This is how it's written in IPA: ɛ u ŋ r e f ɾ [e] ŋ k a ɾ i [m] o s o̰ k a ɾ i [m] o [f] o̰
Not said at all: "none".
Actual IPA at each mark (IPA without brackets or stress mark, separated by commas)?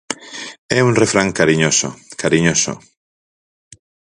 a, ɲ, ɲ, s